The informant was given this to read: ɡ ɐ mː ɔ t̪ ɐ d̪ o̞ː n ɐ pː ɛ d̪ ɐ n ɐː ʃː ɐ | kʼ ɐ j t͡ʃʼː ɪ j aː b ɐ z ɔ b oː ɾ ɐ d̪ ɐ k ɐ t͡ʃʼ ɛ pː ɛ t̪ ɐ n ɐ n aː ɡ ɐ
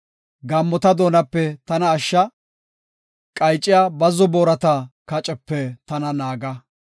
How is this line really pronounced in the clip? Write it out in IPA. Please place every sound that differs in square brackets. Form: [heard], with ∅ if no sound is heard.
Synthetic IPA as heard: ɡ ɐ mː ɔ t̪ ɐ d̪ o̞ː n ɐ pː ɛ [t̪] ɐ n ɐː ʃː ɐ | kʼ ɐ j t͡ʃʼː ɪ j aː b ɐ z ɔ b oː ɾ ɐ [t̪] ɐ k ɐ t͡ʃʼ ɛ pː ɛ t̪ ɐ n ɐ n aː ɡ ɐ